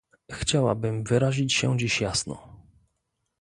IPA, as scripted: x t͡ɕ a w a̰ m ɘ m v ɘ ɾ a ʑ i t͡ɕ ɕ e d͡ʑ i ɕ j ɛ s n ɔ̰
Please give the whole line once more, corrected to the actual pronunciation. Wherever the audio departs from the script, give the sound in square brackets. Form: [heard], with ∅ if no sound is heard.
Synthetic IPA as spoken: x t͡ɕ a w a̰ [b] ɘ m v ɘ ɾ a ʑ i t͡ɕ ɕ [ɛ] d͡ʑ i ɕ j [a] s n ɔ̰